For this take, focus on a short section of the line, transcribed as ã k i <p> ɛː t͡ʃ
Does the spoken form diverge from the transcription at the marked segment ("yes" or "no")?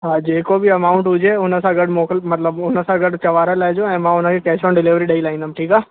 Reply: yes